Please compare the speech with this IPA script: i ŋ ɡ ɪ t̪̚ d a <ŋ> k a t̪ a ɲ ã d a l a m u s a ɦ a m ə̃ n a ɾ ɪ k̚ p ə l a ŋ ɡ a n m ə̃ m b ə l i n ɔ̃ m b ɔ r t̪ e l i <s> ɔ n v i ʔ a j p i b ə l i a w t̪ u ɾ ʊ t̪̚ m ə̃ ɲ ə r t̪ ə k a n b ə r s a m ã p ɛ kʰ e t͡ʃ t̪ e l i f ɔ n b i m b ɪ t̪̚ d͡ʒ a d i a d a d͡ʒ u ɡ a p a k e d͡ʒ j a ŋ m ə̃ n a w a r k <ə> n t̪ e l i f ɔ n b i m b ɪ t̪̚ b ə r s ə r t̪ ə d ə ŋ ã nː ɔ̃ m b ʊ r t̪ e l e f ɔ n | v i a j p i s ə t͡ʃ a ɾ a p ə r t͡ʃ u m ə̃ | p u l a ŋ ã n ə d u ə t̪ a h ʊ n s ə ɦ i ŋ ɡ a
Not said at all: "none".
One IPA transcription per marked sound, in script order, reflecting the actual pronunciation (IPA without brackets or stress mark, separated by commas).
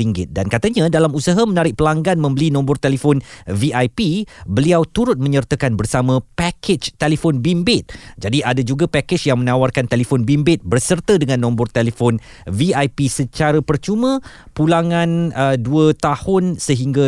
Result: n, f, a